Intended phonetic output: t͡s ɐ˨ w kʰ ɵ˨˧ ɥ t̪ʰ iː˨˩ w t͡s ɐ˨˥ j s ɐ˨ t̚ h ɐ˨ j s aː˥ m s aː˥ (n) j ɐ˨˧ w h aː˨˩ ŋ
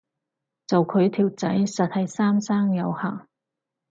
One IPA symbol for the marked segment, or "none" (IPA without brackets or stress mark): ŋ